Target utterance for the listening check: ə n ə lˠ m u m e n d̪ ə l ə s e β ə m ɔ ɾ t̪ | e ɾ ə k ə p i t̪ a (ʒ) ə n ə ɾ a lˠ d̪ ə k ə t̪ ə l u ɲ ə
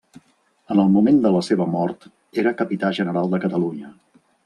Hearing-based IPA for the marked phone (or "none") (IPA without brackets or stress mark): ʒ